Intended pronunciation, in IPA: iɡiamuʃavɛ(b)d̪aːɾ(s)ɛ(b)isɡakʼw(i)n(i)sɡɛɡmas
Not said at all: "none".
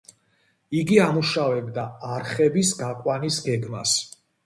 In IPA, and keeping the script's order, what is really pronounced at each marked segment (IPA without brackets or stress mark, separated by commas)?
b, χ, b, a, i